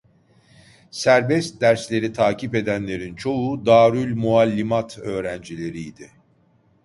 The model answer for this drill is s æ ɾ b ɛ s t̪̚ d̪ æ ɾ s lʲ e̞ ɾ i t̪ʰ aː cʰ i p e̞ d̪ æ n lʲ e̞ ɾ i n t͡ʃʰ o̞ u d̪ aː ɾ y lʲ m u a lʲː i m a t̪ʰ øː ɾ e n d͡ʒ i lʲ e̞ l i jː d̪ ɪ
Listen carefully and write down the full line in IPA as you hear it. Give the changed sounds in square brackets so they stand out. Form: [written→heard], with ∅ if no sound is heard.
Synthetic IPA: s æ ɾ b ɛ s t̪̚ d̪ æ ɾ s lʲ e̞ ɾ i t̪ʰ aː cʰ i p e̞ d̪ æ n lʲ e̞ ɾ i n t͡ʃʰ o̞ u d̪ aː ɾ y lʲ m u a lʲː i m a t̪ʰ øː ɾ [e→æ] n d͡ʒ i lʲ e̞ [l→ɾ] i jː d̪ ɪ